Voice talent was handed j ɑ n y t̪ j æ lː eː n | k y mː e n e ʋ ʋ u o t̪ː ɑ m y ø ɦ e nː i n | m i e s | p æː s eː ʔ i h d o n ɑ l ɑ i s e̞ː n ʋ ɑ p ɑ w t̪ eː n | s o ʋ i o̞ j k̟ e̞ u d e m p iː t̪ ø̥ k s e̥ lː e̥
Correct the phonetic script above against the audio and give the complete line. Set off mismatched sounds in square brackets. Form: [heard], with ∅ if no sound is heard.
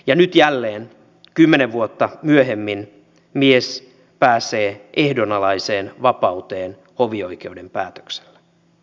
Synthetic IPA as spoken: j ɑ n y t̪ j æ lː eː n | k y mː e n e ʋ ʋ u o t̪ː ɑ m y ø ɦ e [mː] i n | m i e s | p æː s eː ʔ [e] h d o n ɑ l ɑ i s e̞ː n ʋ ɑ p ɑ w t̪ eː n | [h] o ʋ i o̞ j k̟ e̞ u d e m p [æː] t̪ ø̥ k s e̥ lː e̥